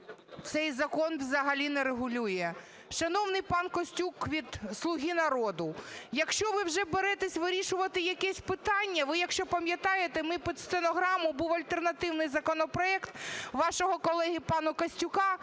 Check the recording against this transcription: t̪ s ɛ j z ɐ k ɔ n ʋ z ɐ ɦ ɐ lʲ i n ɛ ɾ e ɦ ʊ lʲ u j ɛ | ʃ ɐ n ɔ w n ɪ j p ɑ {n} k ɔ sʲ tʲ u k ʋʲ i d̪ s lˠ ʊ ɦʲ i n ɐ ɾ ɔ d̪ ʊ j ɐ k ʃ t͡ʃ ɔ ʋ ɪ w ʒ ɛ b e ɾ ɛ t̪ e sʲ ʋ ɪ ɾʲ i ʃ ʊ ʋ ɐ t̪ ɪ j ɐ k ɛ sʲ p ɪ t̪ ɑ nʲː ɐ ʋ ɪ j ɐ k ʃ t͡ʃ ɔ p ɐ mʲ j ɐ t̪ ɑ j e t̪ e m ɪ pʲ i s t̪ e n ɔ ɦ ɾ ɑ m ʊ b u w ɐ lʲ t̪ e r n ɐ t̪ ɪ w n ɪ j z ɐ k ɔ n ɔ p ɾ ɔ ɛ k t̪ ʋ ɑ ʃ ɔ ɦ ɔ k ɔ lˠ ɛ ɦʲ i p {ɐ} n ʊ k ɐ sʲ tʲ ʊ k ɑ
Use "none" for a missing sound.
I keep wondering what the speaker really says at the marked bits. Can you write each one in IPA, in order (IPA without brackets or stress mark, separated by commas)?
n, ɑ